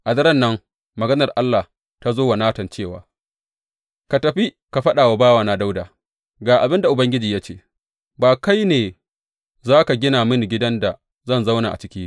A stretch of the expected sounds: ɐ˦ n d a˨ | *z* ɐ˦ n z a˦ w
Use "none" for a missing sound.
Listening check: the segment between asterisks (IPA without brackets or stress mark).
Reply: z